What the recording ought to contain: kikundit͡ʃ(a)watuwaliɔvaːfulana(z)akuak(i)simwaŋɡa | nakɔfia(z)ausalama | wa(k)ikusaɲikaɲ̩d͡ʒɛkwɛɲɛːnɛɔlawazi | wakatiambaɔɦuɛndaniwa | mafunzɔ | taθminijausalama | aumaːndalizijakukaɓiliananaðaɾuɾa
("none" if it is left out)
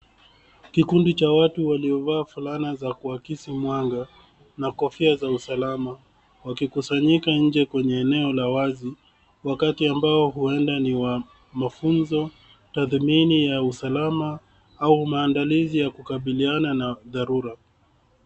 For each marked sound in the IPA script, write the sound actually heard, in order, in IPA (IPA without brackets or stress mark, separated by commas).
a, z, i, z, k